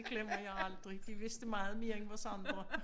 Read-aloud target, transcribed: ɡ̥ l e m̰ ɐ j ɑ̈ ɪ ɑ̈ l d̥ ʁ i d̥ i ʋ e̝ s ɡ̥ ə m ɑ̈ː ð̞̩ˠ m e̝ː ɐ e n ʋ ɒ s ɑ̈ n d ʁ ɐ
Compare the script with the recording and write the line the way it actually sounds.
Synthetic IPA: ɡ̥ l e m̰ ɐ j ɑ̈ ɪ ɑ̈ l d̥ ʁ i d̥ i ʋ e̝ s d̥ ə m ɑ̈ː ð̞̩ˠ m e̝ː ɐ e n ʋ ɒ s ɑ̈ n d ʁ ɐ